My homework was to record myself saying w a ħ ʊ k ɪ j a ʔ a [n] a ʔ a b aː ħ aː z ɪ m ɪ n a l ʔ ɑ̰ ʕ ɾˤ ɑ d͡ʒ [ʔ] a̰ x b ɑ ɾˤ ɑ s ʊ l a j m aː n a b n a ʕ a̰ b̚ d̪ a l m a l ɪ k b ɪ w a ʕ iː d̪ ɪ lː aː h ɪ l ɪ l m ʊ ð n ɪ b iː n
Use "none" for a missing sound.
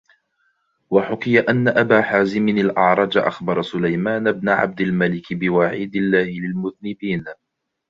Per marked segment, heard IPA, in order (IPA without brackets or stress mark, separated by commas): nː, ʔ